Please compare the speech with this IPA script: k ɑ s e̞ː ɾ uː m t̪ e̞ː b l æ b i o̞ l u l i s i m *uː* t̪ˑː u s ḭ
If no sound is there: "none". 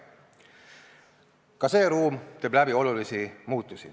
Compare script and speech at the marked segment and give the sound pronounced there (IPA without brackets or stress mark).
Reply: uː